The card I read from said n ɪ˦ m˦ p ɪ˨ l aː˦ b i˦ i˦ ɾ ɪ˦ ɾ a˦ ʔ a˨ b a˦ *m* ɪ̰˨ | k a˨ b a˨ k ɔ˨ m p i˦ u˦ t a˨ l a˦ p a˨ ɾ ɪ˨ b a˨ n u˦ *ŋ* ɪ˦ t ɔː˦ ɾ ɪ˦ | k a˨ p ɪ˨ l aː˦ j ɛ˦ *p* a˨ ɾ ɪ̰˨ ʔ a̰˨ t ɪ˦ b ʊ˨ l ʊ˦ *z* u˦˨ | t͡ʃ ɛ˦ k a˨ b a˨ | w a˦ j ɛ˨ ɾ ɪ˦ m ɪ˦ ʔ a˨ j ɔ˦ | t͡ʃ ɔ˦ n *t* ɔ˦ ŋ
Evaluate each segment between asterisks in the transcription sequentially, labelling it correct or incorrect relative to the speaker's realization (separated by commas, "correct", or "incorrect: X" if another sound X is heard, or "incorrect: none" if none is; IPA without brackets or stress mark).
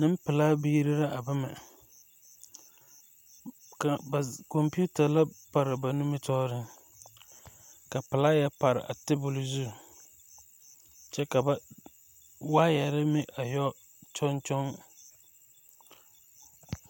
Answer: correct, incorrect: m, correct, correct, incorrect: t͡ʃ